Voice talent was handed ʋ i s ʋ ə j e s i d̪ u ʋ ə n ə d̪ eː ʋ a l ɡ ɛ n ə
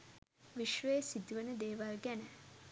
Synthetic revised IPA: ʋ i ʃ ʋ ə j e s i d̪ u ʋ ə n ə d̪ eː ʋ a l ɡ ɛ n ə